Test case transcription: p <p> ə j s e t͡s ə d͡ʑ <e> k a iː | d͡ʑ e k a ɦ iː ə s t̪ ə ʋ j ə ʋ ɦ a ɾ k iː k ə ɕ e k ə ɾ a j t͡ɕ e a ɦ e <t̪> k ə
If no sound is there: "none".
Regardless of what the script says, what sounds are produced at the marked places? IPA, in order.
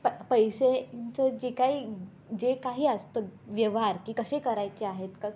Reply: p, e, t̪

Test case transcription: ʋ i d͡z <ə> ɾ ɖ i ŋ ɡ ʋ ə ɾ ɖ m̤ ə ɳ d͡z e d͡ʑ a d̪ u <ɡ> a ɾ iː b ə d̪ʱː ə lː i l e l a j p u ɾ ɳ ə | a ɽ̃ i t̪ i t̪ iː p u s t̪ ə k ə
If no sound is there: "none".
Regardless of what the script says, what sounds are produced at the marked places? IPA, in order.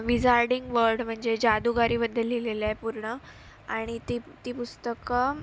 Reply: a, ɡ

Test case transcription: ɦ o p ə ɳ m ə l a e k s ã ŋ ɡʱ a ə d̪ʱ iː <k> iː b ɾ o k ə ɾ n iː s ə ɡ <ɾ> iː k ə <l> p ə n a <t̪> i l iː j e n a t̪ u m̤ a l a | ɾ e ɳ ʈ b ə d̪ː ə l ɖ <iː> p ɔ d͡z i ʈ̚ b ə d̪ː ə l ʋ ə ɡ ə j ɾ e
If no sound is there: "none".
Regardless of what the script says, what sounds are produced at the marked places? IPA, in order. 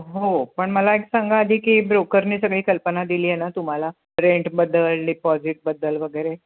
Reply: k, ɭ, l, d̪, i

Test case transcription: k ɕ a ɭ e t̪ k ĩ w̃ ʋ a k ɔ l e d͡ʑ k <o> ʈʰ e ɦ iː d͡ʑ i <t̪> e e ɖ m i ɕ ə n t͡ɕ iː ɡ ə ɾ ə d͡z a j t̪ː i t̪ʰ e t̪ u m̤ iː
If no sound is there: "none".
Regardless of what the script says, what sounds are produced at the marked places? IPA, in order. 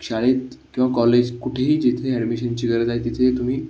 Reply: u, t̪ʰ

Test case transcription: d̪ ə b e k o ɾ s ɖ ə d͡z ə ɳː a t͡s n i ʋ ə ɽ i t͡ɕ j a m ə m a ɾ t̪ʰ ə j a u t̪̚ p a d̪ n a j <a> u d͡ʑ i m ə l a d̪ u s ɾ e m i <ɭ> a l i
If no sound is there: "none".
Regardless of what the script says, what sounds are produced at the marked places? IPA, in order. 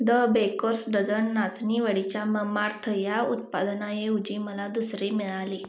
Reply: e, ɭ

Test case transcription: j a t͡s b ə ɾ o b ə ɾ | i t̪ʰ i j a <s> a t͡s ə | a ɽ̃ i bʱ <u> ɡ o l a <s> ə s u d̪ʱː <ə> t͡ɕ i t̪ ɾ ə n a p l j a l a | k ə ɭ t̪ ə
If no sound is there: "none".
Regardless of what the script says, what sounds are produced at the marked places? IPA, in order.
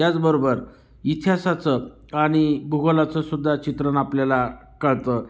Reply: s, u, t͡s, a

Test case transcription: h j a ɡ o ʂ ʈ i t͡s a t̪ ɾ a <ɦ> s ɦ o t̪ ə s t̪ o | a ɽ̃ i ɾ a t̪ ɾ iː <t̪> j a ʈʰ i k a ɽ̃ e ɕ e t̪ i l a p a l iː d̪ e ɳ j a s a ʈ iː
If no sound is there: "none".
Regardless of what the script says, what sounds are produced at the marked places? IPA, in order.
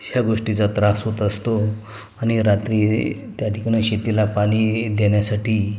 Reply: none, t̪

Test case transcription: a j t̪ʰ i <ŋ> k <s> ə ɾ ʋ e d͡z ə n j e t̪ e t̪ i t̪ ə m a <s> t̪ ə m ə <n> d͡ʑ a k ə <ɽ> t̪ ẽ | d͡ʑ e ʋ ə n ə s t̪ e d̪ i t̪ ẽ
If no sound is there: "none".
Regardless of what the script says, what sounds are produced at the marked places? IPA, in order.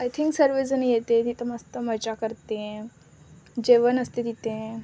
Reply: ŋ, s, s, none, ɾ

